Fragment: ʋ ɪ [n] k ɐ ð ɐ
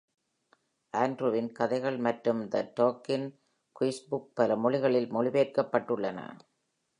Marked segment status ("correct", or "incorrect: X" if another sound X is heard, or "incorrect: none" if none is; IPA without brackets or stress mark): correct